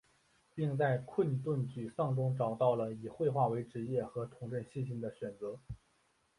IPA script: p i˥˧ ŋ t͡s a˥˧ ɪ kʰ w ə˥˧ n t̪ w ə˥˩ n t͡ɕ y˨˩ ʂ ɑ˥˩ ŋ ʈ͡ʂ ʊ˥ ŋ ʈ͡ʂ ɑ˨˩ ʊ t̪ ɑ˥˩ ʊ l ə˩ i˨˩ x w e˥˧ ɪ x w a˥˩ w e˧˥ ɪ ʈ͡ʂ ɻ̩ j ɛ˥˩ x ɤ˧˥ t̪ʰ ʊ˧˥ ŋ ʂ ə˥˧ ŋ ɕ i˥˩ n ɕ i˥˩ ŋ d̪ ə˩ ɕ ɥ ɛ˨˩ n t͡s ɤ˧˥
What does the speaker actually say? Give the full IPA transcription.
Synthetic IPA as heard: p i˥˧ ŋ t͡s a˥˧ ɪ kʰ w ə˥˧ n t̪ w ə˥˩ n t͡ɕ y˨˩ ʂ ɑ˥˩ ŋ ʈ͡ʂ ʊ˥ ŋ ʈ͡ʂ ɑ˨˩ ʊ t̪ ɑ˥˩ ʊ l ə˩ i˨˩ x w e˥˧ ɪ x w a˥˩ w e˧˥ ɪ ʈ͡ʂ ɻ̩ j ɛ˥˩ x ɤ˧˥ t̪ʰ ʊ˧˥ ŋ ʈ͡ʂ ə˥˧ n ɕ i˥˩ n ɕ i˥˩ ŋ d̪ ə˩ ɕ ɥ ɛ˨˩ n t͡s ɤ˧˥